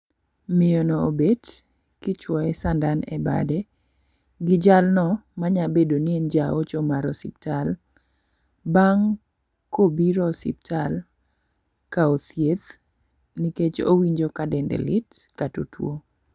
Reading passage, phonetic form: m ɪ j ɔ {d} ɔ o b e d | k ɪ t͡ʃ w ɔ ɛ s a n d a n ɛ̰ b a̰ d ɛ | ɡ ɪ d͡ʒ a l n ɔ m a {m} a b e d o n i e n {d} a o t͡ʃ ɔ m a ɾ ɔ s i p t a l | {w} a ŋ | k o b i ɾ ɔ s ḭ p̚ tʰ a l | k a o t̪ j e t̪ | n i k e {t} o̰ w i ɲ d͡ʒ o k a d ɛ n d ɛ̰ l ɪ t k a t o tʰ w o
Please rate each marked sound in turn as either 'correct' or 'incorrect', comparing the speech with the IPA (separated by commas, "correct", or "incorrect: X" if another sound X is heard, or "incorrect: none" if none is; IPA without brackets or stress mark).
incorrect: n, incorrect: ɲ, incorrect: d͡ʒ, incorrect: b, incorrect: t͡ʃ